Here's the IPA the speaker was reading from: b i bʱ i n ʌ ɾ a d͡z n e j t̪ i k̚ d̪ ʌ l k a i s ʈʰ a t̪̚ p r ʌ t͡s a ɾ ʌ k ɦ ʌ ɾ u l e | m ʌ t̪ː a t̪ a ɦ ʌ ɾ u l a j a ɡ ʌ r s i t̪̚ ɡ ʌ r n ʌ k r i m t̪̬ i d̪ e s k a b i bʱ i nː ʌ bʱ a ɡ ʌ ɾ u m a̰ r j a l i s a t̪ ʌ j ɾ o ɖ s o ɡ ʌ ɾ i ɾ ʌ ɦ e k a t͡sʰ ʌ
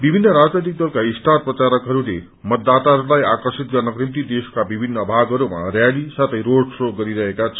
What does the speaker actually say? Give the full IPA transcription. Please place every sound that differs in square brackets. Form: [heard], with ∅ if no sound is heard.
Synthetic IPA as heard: b i bʱ i [nː] ʌ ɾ a d͡z n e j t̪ i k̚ d̪ ʌ l k a i s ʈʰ a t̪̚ p r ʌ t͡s a ɾ ʌ k ɦ ʌ ɾ u l e | m ʌ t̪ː a t̪ a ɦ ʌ ɾ u l a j a [k] ʌ r s i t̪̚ ɡ ʌ r n ʌ k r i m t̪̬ i d̪ e s k a b i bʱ i nː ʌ bʱ a ɡ ʌ ɾ u m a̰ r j a l i s a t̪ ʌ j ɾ o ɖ s o ɡ ʌ ɾ i ɾ ʌ ɦ e k a t͡sʰ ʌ